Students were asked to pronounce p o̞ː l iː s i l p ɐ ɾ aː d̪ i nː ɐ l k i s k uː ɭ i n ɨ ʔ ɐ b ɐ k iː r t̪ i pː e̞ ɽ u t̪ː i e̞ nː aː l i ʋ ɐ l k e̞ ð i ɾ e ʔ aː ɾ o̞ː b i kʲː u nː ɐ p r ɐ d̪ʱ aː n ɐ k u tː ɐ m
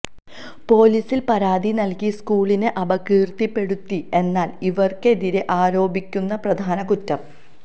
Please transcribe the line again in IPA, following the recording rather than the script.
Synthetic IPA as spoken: p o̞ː l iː s i l p ɐ ɾ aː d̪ i n ɐ l k i s k uː ɭ i n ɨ ʔ ɐ b ɐ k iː r t̪ i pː e̞ ɽ u t̪ː i e̞ nː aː l i ʋ ɐ r k e̞ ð i ɾ e ʔ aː ɾ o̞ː b i kʲː u nː ɐ p r ɐ d̪ʱ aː n ɐ k u tː ɐ m

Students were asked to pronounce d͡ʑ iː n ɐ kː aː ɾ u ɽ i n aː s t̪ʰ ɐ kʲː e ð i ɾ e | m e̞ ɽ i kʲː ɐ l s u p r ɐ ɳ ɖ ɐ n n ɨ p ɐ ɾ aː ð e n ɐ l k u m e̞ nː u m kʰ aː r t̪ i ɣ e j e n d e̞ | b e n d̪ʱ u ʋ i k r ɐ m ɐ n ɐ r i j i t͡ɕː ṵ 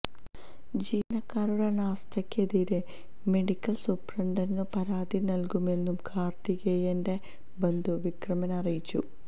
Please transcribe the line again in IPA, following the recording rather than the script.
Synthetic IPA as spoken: d͡ʑ iː n ɐ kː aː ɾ u ɽ e n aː s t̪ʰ ɐ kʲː e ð i ɾ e | m e̞ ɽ i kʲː ɐ l s u p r ɐ ɳ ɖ ɐ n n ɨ p ɐ ɾ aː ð i n ɐ l k u m e̞ nː u m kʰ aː r t̪ i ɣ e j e n d e̞ | b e n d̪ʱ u ʋ i k r ɐ m ɐ n ɐ r i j i t͡ɕː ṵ

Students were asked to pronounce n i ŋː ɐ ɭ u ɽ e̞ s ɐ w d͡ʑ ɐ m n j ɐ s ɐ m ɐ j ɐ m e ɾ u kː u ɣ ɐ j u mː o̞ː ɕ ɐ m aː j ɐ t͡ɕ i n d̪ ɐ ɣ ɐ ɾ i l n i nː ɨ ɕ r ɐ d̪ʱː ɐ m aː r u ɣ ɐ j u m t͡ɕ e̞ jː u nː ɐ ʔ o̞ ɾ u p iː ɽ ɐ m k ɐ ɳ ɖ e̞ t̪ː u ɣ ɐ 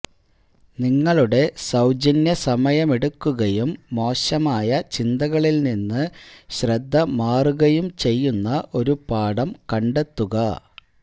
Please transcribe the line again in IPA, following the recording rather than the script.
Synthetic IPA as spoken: n i ŋː ɐ ɭ u ɽ e̞ s ɐ w d͡ʑ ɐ n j ɐ s ɐ m ɐ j ɐ m e ɽ u kː u ɣ ɐ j u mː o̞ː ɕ ɐ m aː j ɐ t͡ɕ i n d̪ ɐ ɣ ɐ ɭ i l n i nː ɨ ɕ r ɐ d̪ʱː ɐ m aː r u ɣ ɐ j u m t͡ɕ e̞ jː u nː ɐ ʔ o̞ ɾ u p aː ɽ ɐ m k ɐ ɳ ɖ e̞ t̪ː u ɣ ɐ

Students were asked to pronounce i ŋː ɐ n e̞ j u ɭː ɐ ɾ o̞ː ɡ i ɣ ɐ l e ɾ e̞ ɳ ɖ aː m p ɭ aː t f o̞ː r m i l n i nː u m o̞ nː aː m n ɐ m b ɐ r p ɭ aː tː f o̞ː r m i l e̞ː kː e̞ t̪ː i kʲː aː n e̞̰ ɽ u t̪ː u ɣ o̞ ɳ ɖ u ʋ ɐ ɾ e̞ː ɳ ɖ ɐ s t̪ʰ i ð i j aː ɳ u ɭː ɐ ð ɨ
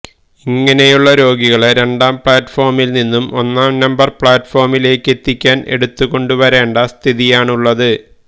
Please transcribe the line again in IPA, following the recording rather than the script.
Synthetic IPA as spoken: i ŋː ɐ n e̞ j u ɭː ɐ ɾ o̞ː ɡ i ɣ ɐ ɭ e ɾ e̞ ɳ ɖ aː m p ɭ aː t f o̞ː r m i l n i nː u m o̞ nː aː m n ɐ m b ɐ r p ɭ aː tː f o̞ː r m i l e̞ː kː e̞ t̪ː i kʲː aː n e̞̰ ɽ u t̪ː u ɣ o̞ ɳ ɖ u ʋ ɐ ɾ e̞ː ɳ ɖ ɐ s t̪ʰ i ð i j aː ɳ u ɭː ɐ ð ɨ

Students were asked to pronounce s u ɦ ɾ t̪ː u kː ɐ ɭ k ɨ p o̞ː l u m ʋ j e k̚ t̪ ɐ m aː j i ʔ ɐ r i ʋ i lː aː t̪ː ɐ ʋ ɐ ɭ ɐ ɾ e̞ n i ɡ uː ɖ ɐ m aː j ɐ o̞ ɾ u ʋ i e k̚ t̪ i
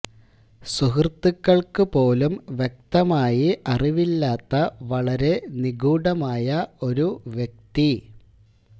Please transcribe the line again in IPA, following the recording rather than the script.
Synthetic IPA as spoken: s u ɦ r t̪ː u kː ɐ ɭ k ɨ p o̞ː l u m ʋ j e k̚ t̪ ɐ m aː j i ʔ ɐ r i ʋ i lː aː t̪ː ɐ ʋ ɐ ɭ ɐ ɾ e̞ n i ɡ uː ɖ ɐ m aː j ɐ o̞ ɾ u ʋ j e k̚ t̪ i

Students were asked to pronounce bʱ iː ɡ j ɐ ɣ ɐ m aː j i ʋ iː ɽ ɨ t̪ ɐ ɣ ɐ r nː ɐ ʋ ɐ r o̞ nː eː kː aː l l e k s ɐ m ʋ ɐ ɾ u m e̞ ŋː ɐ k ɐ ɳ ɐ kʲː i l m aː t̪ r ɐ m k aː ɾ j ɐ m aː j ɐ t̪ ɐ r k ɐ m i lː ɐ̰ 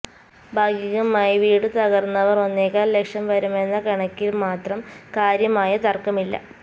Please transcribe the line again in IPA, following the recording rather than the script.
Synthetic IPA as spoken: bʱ aː ɡ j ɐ ɣ ɐ m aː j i ʋ iː ɽ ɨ t̪ ɐ ɣ ɐ r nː ɐ ʋ ɐ r o̞ nː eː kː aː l l e k ʂ ɐ m ʋ ɐ ɾ u m e̞ nː ɐ k ɐ ɳ ɐ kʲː i l m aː t̪ r ɐ m k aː ɾ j ɐ m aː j ɐ t̪ ɐ r k ɐ m i lː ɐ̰

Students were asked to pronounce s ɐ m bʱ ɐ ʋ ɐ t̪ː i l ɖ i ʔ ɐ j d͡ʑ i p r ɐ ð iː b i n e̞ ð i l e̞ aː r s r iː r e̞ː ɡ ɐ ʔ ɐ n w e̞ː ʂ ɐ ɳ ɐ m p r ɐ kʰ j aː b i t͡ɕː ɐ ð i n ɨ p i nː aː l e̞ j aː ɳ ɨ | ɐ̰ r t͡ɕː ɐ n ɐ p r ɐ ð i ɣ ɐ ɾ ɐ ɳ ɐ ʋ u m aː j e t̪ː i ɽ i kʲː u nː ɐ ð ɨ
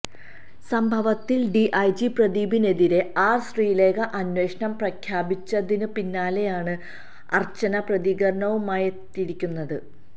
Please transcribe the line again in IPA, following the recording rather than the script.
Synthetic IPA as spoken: s ɐ m bʱ ɐ ʋ ɐ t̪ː i l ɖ i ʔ ɐ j d͡ʑ i p r ɐ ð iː b i n e̞ ð i ɾ e̞ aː r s r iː l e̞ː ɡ ɐ ʔ ɐ n w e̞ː ʂ ɐ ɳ ɐ m p r ɐ kʰ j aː b i t͡ɕː ɐ ð i n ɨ p i nː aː l e̞ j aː ɳ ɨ | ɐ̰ r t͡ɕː ɐ n ɐ p r ɐ ð i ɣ ɐ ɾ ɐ ɳ ɐ ʋ u m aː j e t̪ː i ɽ i kʲː u nː ɐ ð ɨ

